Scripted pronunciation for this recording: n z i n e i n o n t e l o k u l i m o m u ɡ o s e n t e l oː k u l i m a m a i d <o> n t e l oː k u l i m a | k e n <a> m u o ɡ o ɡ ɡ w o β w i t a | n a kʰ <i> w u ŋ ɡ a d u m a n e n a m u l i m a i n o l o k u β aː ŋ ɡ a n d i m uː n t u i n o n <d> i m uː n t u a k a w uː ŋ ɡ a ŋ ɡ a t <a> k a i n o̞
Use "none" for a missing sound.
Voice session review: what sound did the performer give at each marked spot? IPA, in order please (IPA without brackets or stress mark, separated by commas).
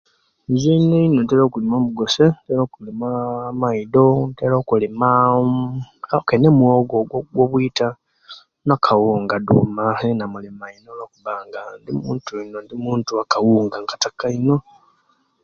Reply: o, e, a, d, a